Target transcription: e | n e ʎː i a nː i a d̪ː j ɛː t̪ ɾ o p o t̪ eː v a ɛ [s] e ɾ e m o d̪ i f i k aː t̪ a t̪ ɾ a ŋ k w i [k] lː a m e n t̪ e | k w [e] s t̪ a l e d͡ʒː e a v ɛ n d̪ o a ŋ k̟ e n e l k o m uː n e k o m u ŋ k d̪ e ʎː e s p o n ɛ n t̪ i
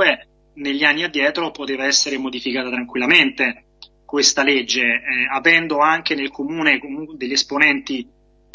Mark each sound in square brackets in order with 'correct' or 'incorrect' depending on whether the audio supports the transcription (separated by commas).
incorrect, incorrect, correct